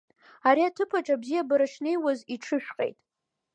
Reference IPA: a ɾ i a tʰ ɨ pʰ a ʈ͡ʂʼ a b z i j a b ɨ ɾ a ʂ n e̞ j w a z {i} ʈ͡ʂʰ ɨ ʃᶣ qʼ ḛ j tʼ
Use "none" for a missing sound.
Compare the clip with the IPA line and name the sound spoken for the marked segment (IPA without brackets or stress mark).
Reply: i